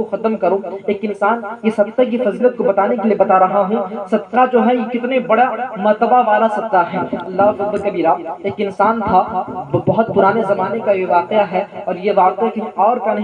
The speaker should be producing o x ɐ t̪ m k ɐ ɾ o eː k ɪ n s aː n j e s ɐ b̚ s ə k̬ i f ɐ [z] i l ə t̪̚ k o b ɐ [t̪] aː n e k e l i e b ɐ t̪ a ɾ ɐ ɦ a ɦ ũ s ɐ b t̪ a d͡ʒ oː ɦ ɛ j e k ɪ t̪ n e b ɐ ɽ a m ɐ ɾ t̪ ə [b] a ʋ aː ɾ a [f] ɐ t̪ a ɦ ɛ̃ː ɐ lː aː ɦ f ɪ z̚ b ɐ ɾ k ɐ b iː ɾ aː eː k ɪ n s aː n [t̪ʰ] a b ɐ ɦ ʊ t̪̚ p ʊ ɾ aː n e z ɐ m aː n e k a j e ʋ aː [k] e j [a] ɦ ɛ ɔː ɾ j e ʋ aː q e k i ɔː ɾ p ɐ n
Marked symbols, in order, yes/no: yes, yes, yes, no, yes, no, yes

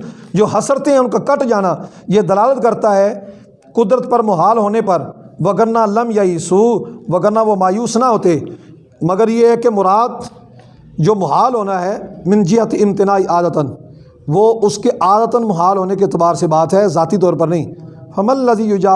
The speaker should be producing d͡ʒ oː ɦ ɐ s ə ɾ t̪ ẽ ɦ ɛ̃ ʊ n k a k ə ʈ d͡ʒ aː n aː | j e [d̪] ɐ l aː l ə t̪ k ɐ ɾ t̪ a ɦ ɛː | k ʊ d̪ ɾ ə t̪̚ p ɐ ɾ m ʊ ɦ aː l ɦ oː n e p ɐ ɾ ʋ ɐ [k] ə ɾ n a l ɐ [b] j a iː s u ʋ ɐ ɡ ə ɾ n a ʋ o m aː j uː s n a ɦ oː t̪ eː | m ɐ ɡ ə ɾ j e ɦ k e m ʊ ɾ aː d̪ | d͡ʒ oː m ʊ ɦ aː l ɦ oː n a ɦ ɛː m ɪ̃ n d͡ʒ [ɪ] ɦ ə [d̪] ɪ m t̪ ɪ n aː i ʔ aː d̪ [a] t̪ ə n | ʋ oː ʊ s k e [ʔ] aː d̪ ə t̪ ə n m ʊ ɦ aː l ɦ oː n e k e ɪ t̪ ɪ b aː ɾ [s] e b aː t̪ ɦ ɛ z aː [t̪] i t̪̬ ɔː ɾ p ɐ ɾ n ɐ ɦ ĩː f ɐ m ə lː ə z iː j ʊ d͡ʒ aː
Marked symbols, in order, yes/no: yes, no, no, yes, no, no, yes, yes, yes

